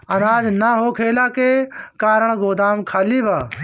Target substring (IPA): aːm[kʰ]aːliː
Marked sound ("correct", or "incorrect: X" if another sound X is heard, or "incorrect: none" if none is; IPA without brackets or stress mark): correct